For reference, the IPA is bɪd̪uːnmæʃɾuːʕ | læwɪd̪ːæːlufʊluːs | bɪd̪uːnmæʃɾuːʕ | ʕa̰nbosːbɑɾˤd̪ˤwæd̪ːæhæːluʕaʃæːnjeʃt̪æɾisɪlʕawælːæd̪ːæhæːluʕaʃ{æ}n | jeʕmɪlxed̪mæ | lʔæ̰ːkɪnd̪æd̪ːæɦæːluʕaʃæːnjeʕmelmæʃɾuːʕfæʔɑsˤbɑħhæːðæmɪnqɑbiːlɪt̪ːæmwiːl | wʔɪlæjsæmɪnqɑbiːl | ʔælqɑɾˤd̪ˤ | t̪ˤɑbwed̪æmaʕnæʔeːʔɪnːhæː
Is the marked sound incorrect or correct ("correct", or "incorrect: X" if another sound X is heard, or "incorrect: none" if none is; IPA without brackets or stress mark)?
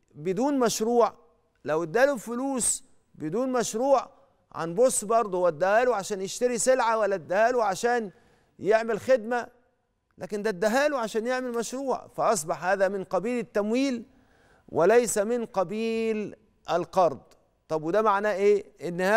incorrect: æː